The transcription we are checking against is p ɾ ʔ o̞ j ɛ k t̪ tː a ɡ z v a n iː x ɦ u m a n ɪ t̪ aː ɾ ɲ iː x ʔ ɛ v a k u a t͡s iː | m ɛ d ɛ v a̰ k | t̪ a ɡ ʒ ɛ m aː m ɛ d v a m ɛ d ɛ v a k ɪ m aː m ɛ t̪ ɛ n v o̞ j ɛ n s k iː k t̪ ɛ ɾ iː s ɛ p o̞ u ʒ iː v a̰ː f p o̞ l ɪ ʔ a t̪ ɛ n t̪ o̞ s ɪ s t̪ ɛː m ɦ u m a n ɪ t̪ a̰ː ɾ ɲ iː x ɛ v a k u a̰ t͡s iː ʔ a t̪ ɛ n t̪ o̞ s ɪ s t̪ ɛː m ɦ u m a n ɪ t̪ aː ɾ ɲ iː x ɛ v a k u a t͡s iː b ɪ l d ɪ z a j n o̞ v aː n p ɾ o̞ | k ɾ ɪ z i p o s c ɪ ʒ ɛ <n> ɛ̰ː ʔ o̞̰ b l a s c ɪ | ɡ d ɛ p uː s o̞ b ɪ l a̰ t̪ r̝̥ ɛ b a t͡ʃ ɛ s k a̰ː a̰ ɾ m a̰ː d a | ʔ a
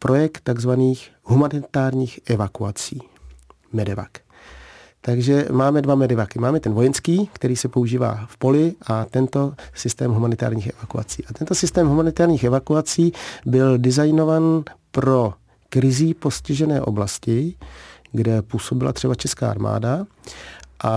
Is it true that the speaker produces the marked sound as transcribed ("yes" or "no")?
yes